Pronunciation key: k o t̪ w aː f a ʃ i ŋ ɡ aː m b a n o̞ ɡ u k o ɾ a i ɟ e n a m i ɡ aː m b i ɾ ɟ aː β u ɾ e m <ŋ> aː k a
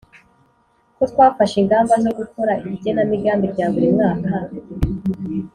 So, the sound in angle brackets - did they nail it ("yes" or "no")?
yes